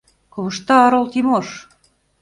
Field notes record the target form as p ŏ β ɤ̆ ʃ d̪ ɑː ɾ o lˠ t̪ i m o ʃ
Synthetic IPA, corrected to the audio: k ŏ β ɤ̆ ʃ t̪ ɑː ɾ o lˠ t̪ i m o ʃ